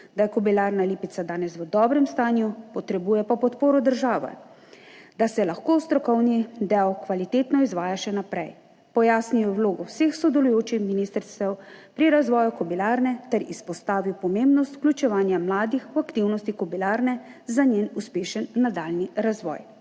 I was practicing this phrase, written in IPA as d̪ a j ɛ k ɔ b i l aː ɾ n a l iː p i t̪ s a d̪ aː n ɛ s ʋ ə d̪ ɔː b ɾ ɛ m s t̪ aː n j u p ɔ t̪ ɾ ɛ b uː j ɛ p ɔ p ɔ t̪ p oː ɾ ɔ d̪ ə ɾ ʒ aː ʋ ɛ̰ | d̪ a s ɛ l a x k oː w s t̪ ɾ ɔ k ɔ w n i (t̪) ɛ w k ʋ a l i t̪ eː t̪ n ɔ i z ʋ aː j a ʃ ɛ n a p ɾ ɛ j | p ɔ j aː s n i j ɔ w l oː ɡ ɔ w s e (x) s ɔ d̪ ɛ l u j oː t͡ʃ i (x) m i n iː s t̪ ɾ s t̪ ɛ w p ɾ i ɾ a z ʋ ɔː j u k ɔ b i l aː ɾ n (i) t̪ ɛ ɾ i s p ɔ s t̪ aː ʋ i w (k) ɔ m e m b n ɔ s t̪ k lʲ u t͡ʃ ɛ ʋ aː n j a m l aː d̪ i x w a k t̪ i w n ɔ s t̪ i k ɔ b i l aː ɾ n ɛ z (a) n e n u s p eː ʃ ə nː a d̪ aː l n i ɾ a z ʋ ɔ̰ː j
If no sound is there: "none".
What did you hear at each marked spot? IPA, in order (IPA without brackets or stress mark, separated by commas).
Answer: d̪, x, x, ɛ, p, a